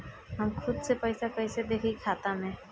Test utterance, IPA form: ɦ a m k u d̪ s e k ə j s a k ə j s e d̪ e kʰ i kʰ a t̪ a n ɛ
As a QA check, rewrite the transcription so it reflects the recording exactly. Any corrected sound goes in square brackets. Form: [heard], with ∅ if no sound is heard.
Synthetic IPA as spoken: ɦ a m [kʰ] u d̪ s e [p] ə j s a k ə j s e d̪ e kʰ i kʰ a t̪ a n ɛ